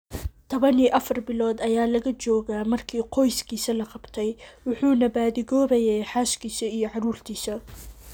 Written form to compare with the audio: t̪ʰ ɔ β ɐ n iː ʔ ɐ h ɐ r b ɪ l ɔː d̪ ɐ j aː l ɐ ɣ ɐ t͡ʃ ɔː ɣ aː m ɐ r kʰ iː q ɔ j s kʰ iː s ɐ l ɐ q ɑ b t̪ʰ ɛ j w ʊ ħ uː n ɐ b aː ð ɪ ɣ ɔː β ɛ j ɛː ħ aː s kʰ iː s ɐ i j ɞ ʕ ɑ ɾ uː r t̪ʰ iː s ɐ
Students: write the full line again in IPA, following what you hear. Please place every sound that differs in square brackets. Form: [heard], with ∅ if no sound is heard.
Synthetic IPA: t̪ʰ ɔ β ɐ n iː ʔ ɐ [f] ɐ r b ɪ l ɔː d̪ ɐ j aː l ɐ ɣ ɐ t͡ʃ ɔː ɣ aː m ɐ r kʰ iː q ɔ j s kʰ iː s ɐ l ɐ q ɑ b t̪ʰ ɛ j w ʊ ħ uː n ɐ b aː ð ɪ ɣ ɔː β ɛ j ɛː ħ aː [ʃ] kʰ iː s ɐ i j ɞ ʕ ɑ ɾ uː r t̪ʰ iː s ɐ